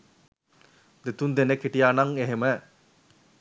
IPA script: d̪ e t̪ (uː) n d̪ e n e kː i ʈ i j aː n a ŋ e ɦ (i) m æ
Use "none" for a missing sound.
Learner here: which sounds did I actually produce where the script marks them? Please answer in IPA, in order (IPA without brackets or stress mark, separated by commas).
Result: u, e